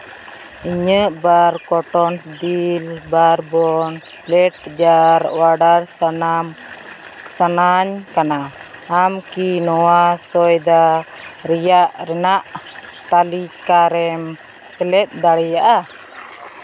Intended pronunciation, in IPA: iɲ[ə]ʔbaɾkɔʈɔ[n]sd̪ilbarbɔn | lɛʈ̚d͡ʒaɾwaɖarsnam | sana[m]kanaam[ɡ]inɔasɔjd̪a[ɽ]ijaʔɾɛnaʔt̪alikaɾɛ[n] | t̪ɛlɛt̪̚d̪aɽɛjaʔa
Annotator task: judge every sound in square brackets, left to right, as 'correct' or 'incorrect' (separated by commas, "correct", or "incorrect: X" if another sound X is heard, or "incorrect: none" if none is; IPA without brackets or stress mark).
correct, correct, incorrect: ɲ, incorrect: k, incorrect: ɾ, incorrect: m